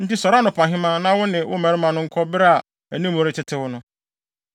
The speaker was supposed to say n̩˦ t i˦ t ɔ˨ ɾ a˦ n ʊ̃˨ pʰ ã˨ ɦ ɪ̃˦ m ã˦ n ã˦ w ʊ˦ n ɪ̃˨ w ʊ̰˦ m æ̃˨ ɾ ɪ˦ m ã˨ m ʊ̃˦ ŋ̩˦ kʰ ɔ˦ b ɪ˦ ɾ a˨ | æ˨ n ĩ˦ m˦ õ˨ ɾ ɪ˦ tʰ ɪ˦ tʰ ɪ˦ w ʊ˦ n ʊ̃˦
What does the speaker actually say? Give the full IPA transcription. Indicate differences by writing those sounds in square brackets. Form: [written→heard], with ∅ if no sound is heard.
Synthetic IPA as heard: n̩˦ t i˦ [t→s] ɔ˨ ɾ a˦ n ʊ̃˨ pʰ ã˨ ɦ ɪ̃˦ m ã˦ n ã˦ w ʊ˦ n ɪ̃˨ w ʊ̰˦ m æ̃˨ ɾ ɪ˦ m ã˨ [m→n] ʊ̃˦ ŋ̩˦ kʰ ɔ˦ b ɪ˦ ɾ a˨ | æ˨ n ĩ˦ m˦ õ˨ ɾ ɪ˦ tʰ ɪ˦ tʰ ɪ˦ w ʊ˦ n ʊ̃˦